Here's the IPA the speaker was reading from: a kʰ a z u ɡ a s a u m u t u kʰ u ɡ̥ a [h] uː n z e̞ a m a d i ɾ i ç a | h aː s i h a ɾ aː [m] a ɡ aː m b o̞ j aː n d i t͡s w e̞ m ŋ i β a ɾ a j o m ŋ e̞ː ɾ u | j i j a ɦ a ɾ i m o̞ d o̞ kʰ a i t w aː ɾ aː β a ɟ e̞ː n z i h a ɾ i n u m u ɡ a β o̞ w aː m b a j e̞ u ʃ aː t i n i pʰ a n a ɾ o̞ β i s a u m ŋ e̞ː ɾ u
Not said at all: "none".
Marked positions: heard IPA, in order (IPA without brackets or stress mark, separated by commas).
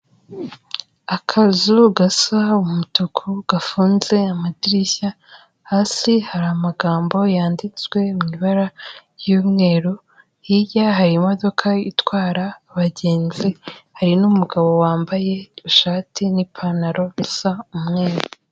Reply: f, m